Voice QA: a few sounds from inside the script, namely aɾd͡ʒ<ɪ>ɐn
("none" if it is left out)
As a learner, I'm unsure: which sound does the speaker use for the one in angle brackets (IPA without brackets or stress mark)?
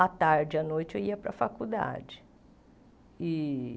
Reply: ɪ